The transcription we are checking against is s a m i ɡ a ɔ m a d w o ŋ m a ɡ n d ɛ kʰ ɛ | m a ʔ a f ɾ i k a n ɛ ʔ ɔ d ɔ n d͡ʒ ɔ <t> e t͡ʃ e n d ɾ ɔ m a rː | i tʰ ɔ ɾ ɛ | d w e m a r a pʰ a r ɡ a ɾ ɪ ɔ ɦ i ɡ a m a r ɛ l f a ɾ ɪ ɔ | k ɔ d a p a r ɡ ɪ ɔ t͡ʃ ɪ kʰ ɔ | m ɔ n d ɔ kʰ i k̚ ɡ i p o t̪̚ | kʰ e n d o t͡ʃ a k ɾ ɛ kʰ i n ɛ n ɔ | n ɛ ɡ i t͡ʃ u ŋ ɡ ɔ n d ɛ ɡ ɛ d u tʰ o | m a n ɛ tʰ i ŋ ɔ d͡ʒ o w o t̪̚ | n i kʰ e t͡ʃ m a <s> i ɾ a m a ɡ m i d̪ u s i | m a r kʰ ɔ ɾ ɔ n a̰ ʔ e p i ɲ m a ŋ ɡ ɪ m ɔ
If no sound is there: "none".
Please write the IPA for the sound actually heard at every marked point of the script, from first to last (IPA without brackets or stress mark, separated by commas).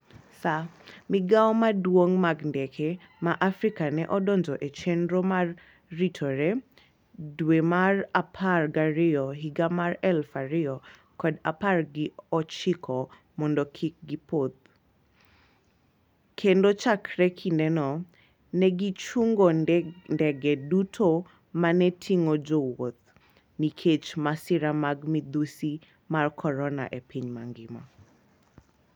ʔ, s